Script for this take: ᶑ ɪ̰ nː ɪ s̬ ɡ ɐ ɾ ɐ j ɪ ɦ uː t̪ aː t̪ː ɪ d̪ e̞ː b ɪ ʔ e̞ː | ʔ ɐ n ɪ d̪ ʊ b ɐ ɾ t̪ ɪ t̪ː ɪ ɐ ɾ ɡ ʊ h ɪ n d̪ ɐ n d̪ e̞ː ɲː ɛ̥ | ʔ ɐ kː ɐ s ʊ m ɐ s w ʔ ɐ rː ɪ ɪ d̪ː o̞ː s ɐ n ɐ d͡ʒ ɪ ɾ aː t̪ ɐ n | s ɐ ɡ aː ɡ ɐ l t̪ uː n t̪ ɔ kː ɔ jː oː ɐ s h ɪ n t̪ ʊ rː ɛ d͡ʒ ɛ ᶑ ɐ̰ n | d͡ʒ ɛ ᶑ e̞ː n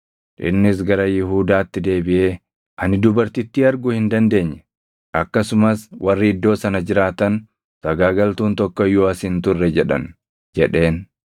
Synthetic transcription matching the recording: ᶑ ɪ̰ nː ɪ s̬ ɡ ɐ ɾ ɐ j ɪ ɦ uː d̪ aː t̪ː ɪ d̪ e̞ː b ɪ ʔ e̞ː | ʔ ɐ n ɪ d̪ ʊ b ɐ ɾ t̪ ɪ t̪ː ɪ ɐ ɾ ɡ ʊ h ɪ n d̪ ɐ n d̪ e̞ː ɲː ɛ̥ | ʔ ɐ kː ɐ s ʊ m ɐ s w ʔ ɐ rː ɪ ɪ d̪ː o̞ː s ɐ n ɐ d͡ʒ ɪ ɾ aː t̪ ɐ n | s ɐ ɡ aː ɡ ɐ l t̪ uː n t̪ ɔ kː ɔ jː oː ɐ s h ɪ n t̪ ʊ rː ɛ d͡ʒ ɛ ᶑ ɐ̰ n | d͡ʒ ɛ ᶑ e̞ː n